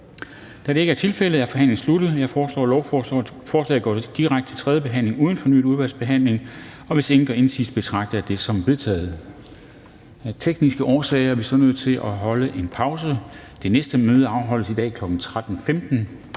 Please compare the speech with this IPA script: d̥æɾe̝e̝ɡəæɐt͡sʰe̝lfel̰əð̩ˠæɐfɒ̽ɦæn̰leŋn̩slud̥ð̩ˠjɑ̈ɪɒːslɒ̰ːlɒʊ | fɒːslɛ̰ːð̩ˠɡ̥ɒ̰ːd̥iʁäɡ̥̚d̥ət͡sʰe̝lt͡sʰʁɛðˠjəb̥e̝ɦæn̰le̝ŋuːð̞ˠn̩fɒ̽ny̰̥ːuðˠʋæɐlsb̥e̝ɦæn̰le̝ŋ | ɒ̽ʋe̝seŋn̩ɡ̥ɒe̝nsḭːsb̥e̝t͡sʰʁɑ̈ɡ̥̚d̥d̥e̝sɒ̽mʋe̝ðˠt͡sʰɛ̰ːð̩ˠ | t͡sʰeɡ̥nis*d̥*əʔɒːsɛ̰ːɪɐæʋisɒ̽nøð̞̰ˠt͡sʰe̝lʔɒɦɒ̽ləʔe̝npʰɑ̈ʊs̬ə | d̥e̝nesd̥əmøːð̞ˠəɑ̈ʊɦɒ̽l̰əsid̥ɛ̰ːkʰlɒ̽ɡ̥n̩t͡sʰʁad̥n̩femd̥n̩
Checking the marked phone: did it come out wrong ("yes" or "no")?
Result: yes